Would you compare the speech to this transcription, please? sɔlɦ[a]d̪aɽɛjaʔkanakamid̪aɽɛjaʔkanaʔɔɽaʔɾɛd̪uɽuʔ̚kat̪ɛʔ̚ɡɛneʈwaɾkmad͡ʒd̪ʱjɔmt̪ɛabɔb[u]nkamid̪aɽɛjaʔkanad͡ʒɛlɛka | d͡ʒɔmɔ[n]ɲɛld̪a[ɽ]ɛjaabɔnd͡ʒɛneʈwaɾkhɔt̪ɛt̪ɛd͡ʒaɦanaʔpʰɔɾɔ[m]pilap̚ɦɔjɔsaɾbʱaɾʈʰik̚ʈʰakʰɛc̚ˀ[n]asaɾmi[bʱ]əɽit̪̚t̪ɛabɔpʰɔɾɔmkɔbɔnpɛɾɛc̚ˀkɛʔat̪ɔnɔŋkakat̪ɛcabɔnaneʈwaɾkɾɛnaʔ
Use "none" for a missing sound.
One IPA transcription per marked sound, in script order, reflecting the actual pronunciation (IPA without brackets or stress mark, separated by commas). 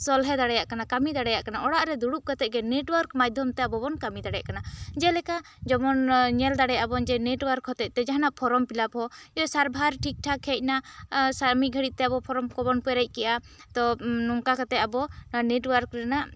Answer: ɛ, ɔ, n, ɽ, m, n, ɡʱ